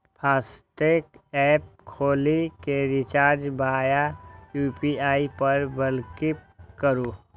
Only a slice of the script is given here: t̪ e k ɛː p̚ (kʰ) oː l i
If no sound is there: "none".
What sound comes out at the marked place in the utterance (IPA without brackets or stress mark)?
kʰ